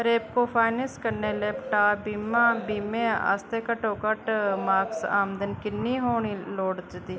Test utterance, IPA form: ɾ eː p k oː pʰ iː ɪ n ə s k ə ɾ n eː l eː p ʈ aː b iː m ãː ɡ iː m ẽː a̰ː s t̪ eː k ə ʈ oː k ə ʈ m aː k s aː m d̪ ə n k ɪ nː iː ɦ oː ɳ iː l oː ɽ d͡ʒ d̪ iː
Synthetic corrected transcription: ɾ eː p k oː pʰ aː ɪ n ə s k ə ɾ n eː l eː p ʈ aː b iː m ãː b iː m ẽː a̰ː s t̪ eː k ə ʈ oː k ə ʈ m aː k s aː m d̪ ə n k ɪ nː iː ɦ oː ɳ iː l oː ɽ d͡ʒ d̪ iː